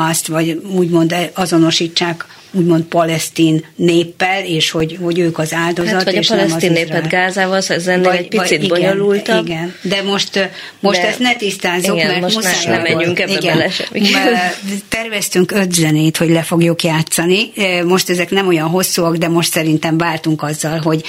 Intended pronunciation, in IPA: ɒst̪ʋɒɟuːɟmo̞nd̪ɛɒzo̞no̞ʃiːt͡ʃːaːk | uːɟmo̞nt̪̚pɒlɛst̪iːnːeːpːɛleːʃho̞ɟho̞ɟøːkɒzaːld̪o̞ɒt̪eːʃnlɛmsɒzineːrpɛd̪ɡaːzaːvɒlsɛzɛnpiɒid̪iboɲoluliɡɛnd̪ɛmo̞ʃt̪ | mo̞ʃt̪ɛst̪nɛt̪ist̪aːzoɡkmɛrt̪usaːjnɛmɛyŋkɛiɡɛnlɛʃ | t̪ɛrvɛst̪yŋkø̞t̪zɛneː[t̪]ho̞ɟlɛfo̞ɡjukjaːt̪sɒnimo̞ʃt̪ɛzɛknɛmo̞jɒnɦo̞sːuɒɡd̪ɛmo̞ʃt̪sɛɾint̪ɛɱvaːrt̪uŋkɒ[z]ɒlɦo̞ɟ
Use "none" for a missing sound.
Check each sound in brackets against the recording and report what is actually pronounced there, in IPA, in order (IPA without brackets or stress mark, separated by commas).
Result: t̪, zː